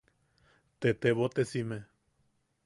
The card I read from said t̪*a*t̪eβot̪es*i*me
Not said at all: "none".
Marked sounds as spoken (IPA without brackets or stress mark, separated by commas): e, i